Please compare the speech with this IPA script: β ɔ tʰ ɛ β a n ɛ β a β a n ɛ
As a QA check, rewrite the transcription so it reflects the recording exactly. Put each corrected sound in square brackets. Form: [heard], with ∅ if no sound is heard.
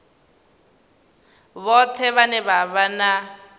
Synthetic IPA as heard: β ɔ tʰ ɛ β a n ɛ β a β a n [a]